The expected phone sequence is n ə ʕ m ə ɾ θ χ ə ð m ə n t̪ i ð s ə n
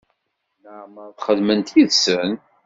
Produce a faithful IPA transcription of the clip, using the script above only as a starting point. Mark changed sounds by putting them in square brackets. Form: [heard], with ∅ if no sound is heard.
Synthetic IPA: n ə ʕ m ə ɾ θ χ ə ð m ə n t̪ i ð s ə n

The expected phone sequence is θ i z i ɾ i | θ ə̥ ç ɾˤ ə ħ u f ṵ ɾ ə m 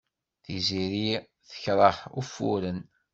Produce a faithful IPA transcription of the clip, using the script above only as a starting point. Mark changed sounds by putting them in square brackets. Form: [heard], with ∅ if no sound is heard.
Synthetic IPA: θ i z i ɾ i | θ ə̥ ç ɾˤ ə ħ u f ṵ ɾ ə [n]

